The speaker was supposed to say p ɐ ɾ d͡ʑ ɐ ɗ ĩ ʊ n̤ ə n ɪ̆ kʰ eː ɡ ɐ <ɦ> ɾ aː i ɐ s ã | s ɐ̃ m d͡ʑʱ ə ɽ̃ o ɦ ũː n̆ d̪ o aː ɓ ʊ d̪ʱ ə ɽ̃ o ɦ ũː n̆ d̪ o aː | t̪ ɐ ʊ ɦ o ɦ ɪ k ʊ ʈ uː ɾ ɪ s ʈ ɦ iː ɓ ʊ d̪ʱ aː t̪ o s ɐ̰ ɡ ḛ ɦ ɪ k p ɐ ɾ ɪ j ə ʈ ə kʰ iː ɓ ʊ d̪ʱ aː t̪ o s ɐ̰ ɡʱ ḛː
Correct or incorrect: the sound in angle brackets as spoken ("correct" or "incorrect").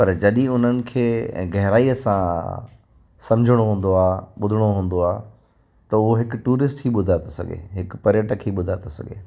correct